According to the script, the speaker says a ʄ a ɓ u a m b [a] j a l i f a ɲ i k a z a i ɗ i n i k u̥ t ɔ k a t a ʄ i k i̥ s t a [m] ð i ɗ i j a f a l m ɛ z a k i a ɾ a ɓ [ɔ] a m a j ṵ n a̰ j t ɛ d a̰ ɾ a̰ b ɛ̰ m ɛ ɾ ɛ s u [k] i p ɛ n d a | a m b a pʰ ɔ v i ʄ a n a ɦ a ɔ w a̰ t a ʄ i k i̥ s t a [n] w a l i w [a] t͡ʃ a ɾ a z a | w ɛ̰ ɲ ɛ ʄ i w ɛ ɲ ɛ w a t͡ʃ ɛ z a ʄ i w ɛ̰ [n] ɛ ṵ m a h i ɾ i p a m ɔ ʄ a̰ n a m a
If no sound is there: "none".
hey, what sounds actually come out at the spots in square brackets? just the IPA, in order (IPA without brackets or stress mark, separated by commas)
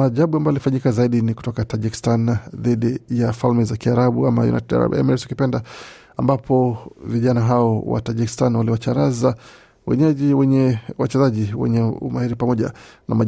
a, n, u, k, n, a, ɲ